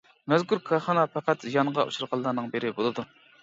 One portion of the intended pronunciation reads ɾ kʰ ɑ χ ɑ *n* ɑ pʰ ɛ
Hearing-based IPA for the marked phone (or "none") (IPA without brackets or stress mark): n